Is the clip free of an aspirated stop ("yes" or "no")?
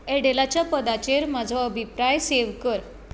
yes